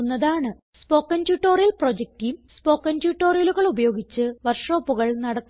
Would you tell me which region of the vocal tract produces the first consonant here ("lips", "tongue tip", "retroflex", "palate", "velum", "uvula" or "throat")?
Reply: tongue tip